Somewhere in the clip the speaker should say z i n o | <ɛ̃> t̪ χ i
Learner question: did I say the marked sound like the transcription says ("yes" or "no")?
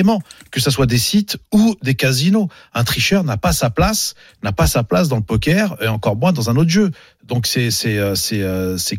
yes